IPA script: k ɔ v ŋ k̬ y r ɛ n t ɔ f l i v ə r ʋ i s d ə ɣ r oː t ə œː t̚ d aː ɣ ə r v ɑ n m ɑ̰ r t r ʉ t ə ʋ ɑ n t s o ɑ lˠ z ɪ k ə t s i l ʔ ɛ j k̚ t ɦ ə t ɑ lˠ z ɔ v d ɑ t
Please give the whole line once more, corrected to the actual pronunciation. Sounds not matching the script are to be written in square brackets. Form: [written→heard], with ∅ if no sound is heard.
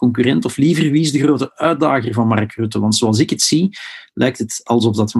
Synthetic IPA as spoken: k ɔ [v→∅] ŋ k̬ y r ɛ n t ɔ f l i v ə r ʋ i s d ə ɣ r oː t ə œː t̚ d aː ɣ ə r v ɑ n m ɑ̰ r [t→k] r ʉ t ə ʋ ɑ n t s o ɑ lˠ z ɪ k ə t s i l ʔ ɛ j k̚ t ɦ ə t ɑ lˠ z ɔ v d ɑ t